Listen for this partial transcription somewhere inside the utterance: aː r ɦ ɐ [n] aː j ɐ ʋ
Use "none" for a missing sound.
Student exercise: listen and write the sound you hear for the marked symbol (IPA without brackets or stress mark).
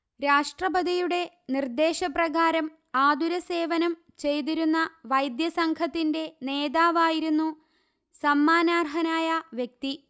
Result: n